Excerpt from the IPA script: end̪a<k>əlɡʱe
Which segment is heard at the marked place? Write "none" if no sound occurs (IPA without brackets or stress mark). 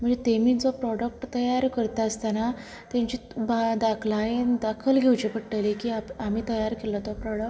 kʰ